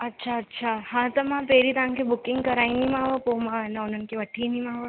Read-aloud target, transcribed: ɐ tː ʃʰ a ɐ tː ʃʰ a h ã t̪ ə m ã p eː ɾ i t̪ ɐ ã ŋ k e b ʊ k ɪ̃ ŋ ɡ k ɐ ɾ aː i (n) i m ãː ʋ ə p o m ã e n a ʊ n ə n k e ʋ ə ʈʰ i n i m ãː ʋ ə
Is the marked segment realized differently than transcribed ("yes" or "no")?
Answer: no